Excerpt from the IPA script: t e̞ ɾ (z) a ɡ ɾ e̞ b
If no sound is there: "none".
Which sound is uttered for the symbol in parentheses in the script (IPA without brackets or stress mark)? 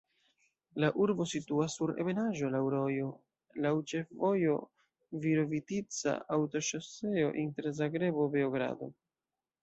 z